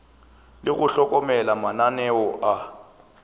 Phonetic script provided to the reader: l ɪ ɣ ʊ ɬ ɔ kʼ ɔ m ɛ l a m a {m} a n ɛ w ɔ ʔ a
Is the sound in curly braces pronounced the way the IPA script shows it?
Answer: no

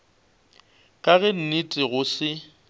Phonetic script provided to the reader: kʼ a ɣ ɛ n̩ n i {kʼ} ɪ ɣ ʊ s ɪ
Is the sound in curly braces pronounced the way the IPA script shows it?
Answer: no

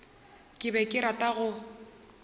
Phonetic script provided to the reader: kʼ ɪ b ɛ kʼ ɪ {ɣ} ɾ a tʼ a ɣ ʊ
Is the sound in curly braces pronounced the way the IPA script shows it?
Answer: no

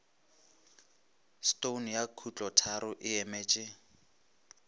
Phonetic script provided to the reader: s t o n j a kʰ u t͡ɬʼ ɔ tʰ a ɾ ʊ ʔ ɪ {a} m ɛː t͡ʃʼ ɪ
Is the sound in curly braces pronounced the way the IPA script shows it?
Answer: no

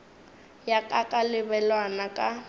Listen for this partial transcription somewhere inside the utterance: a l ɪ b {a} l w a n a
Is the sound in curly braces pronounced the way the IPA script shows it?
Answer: no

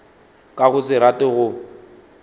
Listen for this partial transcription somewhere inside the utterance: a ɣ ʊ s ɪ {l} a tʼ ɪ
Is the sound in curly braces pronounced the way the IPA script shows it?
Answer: no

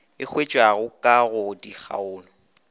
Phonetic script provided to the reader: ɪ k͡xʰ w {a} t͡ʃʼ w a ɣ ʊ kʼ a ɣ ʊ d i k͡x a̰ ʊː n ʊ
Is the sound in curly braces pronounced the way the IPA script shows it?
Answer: no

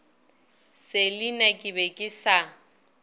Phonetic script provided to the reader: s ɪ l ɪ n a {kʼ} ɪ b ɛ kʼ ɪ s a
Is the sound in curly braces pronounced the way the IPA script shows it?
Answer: yes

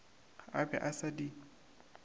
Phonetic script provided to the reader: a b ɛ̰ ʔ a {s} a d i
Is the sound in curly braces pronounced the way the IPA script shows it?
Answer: yes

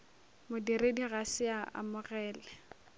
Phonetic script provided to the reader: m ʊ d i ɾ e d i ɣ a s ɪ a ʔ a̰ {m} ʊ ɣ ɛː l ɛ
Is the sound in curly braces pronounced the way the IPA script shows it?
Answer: yes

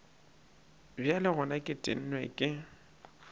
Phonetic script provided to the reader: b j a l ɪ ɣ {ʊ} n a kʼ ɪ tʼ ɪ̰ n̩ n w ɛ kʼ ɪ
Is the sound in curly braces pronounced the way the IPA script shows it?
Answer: yes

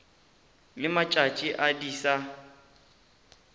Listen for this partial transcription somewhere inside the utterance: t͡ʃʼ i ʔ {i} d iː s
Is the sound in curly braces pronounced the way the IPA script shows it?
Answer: no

